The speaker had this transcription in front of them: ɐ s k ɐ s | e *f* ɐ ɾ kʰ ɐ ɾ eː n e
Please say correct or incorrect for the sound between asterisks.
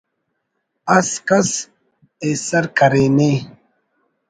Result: incorrect